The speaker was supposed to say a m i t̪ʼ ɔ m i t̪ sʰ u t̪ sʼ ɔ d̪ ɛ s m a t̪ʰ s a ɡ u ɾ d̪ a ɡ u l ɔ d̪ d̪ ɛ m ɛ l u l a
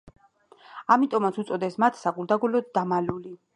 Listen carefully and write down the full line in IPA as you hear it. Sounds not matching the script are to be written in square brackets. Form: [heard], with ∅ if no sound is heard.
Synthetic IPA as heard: a m i t̪ʼ ɔ m [a] t̪ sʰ u t̪ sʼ ɔ d̪ ɛ s m a t̪ʰ s a ɡ u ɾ d̪ a ɡ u l ɔ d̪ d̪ [a] m [a] l u l [i]